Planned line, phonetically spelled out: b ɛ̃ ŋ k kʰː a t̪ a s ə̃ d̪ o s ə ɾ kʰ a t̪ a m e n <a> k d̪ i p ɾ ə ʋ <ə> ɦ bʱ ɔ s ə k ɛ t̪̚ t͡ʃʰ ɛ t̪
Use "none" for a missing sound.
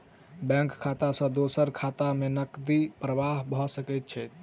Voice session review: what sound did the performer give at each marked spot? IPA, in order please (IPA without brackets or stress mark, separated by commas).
ə, a